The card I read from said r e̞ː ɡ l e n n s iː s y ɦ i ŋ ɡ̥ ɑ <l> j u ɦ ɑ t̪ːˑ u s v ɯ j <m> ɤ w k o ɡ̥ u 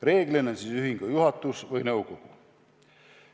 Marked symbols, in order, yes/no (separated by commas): no, no